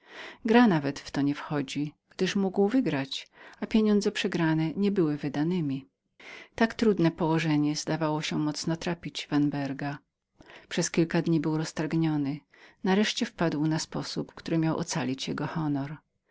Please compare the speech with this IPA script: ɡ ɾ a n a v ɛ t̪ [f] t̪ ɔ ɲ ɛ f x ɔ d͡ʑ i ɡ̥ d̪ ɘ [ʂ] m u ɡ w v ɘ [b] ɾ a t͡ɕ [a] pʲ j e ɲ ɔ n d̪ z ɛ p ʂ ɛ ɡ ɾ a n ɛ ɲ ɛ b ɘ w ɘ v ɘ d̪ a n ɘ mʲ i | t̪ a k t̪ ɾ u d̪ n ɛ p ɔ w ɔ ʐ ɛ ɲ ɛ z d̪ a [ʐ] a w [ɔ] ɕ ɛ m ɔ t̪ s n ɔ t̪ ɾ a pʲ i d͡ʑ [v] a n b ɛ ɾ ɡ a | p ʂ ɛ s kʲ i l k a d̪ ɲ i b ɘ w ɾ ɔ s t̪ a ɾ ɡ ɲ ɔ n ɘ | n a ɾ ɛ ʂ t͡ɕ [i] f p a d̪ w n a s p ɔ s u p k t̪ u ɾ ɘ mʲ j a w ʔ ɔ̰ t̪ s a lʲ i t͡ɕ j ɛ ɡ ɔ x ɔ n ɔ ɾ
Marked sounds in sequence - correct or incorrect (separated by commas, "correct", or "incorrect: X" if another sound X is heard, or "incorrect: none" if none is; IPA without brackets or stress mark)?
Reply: correct, correct, incorrect: ɡ, correct, incorrect: v, correct, correct, incorrect: ɛ